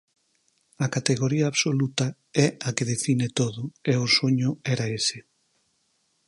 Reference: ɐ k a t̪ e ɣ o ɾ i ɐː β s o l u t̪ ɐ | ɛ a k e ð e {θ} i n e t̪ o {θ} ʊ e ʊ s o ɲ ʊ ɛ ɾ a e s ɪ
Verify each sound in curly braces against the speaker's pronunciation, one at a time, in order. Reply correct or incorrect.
incorrect: f, incorrect: ð

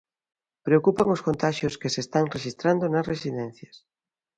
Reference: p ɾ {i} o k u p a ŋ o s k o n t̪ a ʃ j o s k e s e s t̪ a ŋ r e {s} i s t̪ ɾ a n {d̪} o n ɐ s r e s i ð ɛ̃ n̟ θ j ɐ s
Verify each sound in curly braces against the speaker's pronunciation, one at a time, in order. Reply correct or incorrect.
incorrect: e, incorrect: ʃ, correct

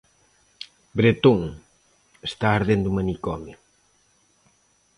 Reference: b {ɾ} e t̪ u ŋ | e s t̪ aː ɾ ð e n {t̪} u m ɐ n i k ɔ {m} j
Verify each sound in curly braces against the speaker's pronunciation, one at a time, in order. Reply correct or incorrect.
correct, incorrect: d̪, correct

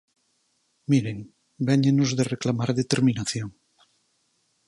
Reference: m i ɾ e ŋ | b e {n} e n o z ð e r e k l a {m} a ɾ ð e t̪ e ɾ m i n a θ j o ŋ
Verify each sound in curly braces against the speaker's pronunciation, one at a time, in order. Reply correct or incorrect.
incorrect: ɲ, correct

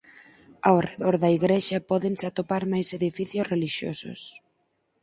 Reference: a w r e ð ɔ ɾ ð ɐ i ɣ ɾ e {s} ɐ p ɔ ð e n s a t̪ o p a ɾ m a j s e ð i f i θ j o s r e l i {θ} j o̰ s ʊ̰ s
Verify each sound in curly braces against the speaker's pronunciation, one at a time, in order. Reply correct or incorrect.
incorrect: ʃ, incorrect: ʃ

